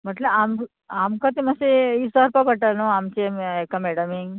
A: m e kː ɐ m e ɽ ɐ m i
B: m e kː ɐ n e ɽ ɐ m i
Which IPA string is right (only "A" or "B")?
A